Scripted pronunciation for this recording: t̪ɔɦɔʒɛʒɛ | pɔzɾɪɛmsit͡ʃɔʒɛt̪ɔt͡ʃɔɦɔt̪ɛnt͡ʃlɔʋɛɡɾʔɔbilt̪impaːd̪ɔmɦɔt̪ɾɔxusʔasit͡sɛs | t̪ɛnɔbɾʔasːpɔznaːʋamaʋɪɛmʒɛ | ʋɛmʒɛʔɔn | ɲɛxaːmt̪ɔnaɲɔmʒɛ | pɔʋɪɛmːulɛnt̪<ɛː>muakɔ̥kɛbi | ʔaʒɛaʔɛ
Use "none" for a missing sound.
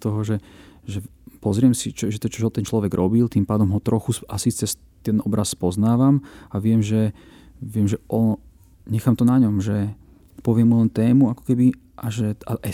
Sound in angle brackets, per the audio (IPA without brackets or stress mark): ɛː